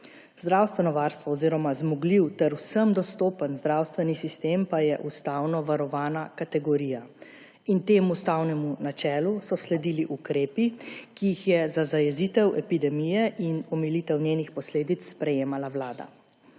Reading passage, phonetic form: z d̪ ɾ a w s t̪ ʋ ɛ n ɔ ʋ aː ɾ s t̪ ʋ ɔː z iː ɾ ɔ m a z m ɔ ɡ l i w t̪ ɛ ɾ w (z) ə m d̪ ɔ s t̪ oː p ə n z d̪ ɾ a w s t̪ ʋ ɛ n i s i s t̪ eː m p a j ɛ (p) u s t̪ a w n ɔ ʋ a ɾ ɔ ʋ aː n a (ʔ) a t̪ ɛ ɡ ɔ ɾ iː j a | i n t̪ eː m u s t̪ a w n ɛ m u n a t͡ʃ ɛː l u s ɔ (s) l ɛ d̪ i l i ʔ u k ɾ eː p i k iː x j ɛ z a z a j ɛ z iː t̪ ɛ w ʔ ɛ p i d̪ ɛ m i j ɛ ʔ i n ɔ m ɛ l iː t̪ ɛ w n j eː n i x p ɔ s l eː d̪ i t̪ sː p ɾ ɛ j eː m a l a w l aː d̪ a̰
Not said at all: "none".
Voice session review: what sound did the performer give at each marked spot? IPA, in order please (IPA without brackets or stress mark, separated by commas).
s, ʔ, k, s